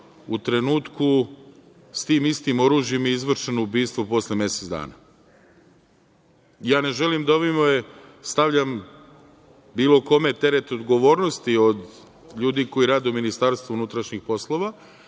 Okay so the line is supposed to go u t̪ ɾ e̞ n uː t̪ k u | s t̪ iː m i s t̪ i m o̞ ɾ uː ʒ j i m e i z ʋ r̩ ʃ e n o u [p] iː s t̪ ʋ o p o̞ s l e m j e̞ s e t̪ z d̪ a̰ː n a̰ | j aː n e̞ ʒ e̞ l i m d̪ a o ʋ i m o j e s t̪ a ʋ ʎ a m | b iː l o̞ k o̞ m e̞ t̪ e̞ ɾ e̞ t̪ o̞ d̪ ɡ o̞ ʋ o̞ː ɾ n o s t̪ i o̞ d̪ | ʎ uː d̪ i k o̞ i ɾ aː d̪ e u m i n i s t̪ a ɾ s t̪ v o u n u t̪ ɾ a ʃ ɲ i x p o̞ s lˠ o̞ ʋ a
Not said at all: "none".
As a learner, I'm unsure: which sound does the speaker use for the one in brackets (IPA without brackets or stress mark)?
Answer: b